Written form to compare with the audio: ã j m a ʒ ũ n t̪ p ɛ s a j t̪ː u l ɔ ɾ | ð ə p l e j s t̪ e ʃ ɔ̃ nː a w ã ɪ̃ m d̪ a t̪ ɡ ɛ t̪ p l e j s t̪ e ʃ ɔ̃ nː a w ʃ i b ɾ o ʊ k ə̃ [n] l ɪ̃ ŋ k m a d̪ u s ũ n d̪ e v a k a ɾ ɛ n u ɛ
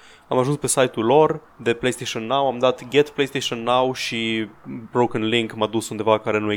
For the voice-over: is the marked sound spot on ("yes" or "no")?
yes